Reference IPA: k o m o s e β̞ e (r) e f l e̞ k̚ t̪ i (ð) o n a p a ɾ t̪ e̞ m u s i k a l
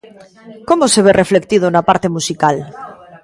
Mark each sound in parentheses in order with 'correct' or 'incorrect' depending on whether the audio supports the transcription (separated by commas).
correct, correct